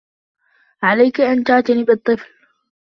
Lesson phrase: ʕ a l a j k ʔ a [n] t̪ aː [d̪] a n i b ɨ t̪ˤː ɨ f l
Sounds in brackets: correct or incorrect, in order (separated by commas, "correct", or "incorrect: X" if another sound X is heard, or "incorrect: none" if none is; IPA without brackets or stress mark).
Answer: correct, incorrect: t̪